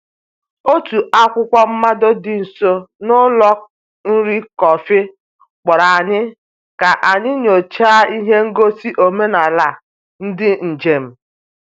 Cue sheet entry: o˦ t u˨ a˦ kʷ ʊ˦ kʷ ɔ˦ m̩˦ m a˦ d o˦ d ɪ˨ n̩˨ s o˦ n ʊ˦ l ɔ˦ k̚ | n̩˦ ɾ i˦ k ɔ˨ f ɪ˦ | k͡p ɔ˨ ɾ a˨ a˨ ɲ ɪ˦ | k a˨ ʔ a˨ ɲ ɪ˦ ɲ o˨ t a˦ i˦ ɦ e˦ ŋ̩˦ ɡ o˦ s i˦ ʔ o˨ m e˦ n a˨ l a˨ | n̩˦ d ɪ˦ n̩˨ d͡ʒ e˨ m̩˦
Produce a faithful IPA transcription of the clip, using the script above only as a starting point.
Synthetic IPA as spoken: o˦ t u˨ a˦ kʷ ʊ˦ kʷ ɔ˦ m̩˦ m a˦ d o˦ d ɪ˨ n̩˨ s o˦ n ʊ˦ l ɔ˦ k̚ | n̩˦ ɾ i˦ k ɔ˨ f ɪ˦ | k͡p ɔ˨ ɾ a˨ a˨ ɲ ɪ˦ | k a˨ ʔ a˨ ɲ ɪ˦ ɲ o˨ t͡ʃ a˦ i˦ ɦ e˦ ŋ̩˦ ɡ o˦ s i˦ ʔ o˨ m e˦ n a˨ l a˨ | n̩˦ d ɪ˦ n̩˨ d͡ʒ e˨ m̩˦